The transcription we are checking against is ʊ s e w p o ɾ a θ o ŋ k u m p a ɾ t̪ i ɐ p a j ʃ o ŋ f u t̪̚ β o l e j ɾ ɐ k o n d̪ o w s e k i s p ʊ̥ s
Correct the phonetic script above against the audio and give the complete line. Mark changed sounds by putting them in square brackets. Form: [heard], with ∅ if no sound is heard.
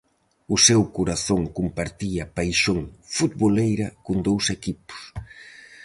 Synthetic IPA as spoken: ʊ s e w [k] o ɾ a θ o ŋ k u m p a ɾ t̪ i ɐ p a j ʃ o ŋ f u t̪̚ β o l e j ɾ ɐ k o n d̪ o w s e k i [∅] p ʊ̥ s

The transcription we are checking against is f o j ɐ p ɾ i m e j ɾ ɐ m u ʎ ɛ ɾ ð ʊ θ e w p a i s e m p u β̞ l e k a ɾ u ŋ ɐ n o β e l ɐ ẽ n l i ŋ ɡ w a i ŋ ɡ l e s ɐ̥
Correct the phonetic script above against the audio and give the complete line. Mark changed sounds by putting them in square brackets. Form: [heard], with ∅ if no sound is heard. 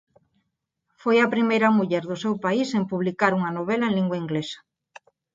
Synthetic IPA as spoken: f o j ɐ p ɾ i m e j ɾ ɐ m u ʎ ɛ ɾ ð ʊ [s] e w p a i s e m p u β̞ l [i] k a ɾ u ŋ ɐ n o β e l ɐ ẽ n l i ŋ ɡ w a i ŋ ɡ l e s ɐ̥

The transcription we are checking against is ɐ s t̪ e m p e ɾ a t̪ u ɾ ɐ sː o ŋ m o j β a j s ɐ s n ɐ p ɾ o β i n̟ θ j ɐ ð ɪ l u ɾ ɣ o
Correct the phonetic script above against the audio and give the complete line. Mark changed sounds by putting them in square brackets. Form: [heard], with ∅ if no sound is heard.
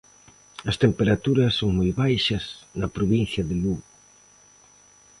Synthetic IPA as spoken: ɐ s t̪ e m p e ɾ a t̪ u ɾ ɐ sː o ŋ m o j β a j [ʃ] ɐ s n ɐ p ɾ o β i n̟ θ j ɐ ð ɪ l u [∅] ɣ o

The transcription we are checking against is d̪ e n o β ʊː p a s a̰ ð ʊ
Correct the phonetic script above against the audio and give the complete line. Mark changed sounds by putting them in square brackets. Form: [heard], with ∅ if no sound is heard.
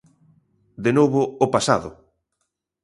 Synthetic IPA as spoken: d̪ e n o β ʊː p a s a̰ ð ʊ

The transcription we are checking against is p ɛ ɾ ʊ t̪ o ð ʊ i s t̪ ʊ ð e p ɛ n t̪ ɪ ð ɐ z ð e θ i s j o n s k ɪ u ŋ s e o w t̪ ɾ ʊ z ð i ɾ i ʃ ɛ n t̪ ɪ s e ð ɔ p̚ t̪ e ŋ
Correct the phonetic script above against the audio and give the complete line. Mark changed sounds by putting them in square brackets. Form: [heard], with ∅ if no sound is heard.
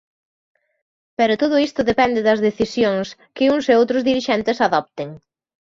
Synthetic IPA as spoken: p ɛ ɾ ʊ t̪ o ð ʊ i s t̪ ʊ ð e p ɛ n [d̪] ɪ ð ɐ z ð e θ i s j o [ŋ] s k ɪ u ŋ s e o w t̪ ɾ ʊ z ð i ɾ i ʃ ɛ n t̪ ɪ s [a] ð ɔ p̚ t̪ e ŋ

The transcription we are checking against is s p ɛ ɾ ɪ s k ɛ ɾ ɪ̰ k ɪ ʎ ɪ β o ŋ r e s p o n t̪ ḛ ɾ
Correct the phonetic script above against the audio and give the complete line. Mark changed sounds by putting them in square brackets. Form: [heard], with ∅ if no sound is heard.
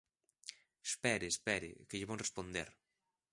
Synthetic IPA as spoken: s p ɛ ɾ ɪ s [p] ɛ ɾ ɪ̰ k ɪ ʎ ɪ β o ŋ r e s p o n [d̪] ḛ ɾ

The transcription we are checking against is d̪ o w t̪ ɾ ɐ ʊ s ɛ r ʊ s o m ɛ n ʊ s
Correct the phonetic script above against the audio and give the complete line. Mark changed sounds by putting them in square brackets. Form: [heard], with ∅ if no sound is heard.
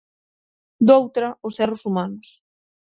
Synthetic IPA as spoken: d̪ o w t̪ ɾ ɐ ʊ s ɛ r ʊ s [u] m [a] n ʊ s

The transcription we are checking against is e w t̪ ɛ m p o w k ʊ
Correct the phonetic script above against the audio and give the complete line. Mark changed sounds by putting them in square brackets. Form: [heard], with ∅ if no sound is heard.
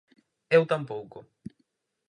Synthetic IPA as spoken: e w t̪ [a] m p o w k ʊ

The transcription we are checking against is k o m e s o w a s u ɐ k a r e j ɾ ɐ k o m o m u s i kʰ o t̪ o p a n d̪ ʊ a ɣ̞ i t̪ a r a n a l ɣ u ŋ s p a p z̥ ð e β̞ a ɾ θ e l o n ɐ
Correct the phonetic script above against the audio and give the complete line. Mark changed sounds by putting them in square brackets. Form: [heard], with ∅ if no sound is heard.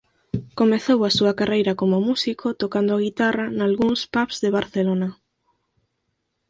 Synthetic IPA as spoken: k o m e [θ] o w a s u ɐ k a r e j ɾ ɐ k o m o m u s i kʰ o t̪ o [k] a n d̪ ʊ a ɣ̞ i t̪ a r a n a l ɣ u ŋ s p a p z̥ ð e β̞ a ɾ θ e l o n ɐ

